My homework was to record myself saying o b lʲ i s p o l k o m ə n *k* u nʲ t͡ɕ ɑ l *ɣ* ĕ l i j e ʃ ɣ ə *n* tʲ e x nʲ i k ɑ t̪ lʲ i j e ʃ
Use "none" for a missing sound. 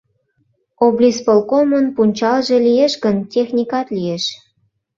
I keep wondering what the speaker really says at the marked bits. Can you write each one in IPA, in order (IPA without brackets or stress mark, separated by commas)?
p, ʒ, n